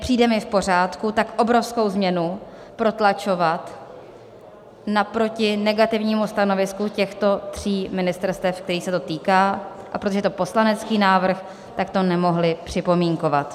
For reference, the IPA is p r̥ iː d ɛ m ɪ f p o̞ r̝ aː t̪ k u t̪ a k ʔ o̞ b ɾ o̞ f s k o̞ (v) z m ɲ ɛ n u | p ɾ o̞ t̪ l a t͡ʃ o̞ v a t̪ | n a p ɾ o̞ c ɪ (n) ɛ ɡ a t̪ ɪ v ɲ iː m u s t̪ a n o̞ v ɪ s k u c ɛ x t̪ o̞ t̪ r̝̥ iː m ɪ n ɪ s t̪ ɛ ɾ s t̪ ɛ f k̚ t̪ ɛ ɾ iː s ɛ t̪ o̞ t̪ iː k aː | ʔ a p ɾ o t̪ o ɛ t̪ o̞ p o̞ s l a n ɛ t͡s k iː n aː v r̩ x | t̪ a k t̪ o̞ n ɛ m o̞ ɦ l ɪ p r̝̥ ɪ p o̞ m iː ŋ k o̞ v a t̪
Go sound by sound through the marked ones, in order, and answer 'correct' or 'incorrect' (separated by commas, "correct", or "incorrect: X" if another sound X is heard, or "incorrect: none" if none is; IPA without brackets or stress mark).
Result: incorrect: w, correct